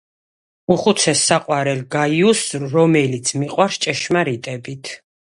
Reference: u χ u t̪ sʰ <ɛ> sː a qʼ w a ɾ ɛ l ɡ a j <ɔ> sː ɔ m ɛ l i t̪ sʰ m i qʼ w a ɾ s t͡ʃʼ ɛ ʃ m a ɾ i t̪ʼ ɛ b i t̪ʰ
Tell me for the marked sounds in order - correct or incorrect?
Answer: correct, incorrect

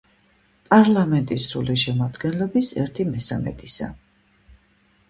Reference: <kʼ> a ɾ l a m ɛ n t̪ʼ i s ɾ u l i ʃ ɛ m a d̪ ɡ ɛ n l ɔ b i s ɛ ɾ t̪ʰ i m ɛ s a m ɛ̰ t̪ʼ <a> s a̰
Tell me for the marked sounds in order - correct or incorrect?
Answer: incorrect, incorrect

